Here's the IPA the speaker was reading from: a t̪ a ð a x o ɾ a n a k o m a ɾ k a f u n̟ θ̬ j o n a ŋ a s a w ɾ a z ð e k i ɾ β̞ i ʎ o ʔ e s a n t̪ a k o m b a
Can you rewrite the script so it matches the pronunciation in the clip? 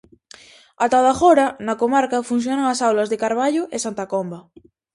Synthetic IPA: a t̪ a ð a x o ɾ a n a k o m a ɾ k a f u n̟ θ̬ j o n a ŋ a s a w l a z ð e k a ɾ β̞ a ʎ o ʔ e s a n t̪ a k o m b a